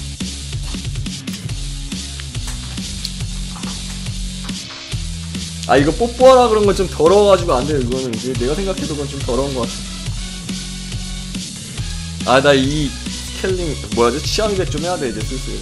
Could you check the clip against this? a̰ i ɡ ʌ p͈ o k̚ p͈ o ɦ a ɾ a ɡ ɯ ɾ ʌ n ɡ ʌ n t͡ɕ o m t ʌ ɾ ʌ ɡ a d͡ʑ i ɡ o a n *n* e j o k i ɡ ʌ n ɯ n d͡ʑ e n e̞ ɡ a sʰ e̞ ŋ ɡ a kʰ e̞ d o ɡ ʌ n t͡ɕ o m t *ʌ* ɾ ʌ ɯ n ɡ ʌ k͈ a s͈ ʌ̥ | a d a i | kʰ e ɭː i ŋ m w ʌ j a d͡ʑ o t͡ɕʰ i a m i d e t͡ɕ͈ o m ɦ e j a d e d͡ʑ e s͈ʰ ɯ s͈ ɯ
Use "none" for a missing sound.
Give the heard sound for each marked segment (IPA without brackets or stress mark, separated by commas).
d, ʌ